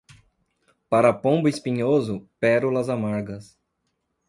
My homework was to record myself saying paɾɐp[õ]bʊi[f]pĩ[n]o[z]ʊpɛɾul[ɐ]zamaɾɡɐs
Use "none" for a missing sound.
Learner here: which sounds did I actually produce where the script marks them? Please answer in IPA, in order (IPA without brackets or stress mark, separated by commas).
õ, s, ɲ, z, ɐ